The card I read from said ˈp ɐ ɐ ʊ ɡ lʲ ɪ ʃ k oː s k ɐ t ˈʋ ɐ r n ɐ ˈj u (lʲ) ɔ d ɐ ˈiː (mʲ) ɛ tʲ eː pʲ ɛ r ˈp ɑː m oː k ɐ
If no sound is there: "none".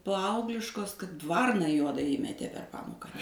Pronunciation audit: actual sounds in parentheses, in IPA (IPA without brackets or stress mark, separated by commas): none, mʲ